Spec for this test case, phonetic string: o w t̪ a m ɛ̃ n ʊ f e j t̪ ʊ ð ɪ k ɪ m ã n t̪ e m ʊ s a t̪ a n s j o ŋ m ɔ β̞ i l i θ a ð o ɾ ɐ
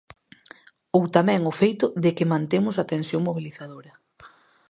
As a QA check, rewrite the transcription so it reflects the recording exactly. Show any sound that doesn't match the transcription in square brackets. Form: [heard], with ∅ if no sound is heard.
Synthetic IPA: o w t̪ a m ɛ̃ [ŋ] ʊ f e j t̪ ʊ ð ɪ k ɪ m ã n t̪ e m ʊ s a t̪ [e] n s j o ŋ m [o] β̞ i l i θ a ð o ɾ ɐ